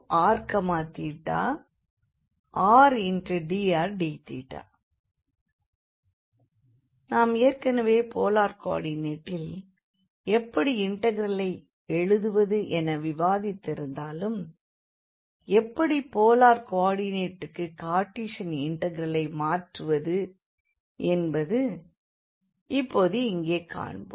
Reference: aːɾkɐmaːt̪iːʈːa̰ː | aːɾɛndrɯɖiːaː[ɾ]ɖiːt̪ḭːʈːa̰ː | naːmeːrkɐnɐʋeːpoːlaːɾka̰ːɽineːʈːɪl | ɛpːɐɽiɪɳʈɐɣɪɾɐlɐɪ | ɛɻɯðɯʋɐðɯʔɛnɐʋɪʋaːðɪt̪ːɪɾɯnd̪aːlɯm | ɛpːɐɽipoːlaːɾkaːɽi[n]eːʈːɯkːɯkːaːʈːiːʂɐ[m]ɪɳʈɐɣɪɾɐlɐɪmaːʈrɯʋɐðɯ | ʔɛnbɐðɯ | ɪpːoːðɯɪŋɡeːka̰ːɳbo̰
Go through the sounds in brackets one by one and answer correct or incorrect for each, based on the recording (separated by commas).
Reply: correct, correct, incorrect